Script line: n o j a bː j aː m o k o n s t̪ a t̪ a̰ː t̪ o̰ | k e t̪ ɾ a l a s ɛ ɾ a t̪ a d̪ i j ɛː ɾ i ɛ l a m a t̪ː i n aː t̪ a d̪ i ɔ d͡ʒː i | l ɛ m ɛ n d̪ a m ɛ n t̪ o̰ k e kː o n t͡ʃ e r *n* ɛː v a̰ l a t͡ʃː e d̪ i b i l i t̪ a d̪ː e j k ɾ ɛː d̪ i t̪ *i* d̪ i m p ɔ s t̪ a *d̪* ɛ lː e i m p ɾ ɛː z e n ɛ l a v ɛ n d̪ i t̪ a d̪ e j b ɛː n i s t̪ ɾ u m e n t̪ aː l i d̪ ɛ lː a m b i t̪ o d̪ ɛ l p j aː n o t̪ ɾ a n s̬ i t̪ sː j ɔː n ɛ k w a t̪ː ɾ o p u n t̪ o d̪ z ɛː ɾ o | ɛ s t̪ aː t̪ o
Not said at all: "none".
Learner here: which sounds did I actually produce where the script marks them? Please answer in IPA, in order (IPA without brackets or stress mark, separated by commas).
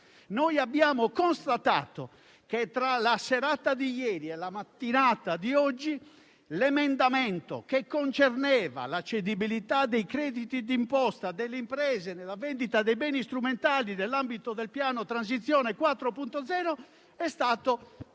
n, i, d̪